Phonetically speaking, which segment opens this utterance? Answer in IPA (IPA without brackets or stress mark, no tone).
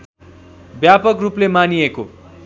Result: b